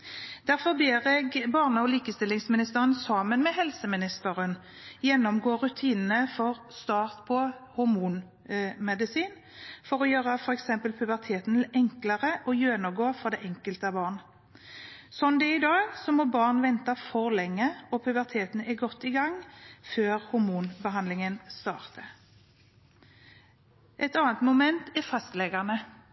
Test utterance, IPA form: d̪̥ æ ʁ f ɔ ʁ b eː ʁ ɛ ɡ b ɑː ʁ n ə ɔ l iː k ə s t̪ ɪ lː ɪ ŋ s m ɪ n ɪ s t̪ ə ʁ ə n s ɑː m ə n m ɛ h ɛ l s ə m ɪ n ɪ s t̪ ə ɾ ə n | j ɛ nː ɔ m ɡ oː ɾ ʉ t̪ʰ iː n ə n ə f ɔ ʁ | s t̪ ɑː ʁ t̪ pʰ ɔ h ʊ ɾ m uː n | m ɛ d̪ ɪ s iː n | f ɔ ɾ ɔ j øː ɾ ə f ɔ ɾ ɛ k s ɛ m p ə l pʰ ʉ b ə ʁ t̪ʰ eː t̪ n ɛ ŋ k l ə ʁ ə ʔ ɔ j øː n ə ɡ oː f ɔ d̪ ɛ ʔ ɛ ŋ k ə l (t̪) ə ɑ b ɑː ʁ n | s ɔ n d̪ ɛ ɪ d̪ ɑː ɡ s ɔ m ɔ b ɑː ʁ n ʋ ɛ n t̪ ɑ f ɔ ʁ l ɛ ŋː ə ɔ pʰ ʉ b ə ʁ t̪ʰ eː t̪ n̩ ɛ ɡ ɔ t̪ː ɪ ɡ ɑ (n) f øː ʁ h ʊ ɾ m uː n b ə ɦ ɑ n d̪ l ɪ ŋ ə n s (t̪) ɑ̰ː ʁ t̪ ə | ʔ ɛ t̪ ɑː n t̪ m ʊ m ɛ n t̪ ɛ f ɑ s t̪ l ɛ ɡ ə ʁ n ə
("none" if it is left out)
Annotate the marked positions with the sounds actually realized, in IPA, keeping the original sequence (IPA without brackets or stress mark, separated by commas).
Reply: t̪, ŋ, t̪